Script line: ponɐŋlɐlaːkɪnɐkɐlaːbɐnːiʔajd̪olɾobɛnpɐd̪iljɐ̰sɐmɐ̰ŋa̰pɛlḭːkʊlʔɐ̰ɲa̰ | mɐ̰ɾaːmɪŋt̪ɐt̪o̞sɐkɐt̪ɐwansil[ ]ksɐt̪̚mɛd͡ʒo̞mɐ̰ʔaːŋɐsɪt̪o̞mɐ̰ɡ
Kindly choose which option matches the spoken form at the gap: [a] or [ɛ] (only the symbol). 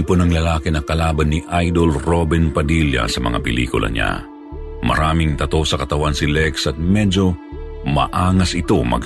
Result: ɛ